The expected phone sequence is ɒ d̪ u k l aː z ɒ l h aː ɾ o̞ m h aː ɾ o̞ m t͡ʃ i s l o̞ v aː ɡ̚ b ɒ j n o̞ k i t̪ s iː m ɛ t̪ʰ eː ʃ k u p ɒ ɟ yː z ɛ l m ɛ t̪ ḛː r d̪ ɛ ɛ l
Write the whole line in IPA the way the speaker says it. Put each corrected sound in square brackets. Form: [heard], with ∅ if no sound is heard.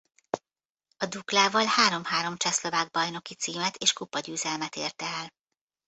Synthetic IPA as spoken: ɒ d̪ u k l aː [v] ɒ l h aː ɾ o̞ m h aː ɾ o̞ m t͡ʃ [ɛ] s l o̞ v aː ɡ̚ b ɒ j n o̞ k i t̪ s iː m ɛ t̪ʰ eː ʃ k u p ɒ ɟ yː z ɛ l m ɛ t̪ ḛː r [t̪] ɛ ɛ l